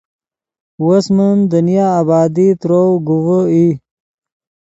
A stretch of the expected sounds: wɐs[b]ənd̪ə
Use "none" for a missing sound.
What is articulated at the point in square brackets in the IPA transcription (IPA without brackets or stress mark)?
m